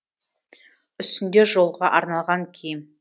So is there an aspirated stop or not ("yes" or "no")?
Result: yes